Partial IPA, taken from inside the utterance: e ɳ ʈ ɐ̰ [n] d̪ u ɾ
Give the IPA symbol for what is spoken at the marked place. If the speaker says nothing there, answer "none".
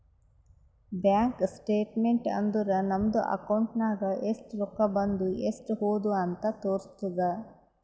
n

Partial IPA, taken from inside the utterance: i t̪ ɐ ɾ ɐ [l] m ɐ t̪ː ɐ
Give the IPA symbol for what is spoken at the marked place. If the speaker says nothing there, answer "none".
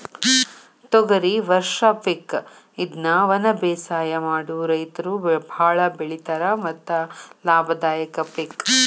none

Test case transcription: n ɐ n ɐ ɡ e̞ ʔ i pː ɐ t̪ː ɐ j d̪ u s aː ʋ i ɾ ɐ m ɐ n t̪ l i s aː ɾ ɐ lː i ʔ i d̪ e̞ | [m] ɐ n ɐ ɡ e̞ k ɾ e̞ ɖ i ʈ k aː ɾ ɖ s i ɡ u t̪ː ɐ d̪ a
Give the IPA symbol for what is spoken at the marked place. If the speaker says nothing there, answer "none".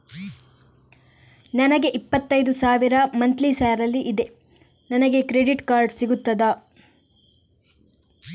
n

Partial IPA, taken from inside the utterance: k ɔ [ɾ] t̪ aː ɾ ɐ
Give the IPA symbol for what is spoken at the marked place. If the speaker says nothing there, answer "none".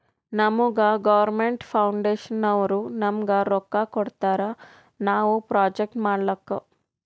ɽ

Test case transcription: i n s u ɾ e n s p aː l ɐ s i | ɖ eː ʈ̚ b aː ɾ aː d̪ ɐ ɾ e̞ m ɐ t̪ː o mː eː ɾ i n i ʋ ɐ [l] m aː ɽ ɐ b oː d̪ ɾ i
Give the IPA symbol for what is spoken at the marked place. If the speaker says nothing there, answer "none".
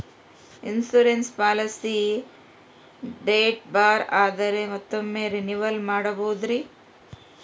l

